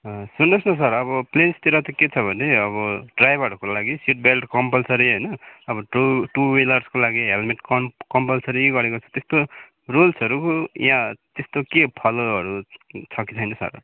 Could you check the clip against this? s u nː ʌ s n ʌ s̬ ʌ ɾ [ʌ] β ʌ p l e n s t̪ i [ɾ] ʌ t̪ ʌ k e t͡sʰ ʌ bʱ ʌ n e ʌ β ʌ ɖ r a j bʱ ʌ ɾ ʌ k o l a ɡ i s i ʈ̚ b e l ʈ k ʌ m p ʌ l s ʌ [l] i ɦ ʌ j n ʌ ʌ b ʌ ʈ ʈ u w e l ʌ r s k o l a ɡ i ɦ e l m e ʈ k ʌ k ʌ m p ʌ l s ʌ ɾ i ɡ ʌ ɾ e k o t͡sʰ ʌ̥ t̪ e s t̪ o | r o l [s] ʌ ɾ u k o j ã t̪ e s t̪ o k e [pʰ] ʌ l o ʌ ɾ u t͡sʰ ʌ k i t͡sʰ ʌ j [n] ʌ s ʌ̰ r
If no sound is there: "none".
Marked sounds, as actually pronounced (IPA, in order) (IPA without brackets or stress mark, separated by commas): ʌ, ɾ, ɾ, s, pʰ, n